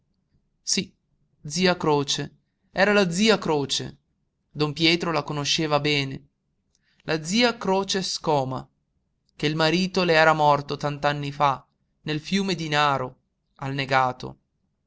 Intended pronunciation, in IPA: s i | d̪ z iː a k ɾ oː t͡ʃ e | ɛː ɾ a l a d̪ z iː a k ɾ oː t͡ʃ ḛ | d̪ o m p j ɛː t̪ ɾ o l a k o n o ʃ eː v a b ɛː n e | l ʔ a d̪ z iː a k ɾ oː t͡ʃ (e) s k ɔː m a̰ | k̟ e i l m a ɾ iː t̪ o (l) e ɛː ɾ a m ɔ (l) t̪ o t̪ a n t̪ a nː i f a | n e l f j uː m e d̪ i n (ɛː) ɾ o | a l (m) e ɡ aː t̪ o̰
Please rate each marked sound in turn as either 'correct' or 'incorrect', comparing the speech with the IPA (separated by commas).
correct, correct, incorrect, incorrect, incorrect